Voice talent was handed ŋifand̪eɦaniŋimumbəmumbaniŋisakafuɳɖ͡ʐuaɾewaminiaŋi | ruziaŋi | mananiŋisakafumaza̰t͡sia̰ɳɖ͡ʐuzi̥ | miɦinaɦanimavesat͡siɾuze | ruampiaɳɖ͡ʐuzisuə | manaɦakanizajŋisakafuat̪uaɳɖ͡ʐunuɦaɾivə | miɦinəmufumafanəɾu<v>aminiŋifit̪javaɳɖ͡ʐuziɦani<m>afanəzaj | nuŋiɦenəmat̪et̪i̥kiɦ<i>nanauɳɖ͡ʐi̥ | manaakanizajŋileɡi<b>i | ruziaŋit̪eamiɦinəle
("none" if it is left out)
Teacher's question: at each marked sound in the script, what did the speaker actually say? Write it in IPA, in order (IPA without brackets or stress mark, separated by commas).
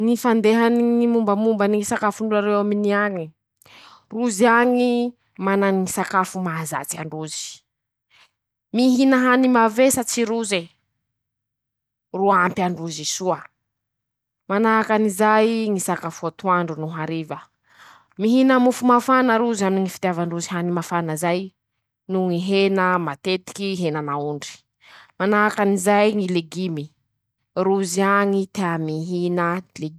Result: z, m, e, m